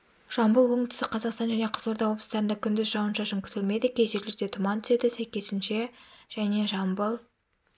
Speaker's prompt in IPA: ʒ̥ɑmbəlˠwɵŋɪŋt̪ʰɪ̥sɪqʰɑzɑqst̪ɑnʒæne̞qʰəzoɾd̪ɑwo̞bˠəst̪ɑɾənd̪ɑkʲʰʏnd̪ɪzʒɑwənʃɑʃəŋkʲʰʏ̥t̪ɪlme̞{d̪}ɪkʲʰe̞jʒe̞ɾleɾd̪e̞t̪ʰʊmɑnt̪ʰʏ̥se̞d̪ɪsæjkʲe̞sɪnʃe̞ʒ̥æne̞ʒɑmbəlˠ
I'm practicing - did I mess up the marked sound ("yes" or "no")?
no